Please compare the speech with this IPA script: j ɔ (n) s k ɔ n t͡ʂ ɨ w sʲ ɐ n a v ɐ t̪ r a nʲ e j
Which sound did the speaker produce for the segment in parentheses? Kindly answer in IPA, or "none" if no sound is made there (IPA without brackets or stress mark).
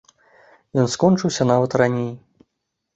n